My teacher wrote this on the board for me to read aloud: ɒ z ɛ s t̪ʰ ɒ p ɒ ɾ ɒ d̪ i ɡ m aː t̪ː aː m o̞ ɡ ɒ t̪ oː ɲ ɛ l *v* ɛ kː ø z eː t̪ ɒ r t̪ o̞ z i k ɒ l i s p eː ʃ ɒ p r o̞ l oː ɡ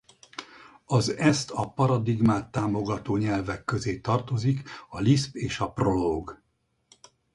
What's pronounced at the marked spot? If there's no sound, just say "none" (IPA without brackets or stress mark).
v